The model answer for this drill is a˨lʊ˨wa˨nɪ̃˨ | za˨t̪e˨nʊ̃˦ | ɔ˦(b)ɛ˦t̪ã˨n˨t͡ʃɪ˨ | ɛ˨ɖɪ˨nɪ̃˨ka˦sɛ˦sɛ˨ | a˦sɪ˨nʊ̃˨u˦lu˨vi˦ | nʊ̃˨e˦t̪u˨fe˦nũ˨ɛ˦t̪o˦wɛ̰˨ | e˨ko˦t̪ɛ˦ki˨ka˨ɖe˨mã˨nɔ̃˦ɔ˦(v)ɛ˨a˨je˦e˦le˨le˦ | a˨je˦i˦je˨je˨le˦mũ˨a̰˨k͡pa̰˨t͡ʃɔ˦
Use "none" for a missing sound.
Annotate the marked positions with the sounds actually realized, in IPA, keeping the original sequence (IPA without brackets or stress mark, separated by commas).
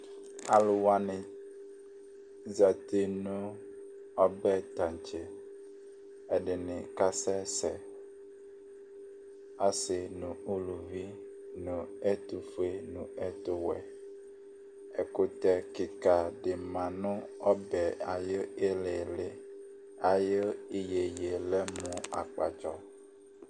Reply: b, b